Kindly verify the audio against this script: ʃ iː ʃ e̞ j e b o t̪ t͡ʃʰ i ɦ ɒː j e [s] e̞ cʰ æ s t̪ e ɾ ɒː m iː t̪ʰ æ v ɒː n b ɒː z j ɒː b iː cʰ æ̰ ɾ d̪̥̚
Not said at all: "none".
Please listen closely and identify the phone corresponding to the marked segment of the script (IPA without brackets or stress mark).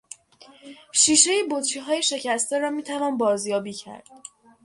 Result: ʃ